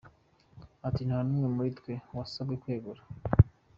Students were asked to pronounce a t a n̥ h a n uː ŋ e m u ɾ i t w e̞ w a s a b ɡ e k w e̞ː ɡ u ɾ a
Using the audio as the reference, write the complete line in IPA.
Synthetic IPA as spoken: a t i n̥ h a n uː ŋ e m u ɾ i t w e̞ w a s a b ɡ e k w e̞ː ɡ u ɾ a